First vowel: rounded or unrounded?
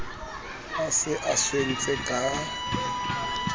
unrounded